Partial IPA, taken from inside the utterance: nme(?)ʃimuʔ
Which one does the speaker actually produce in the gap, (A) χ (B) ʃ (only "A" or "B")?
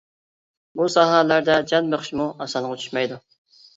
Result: A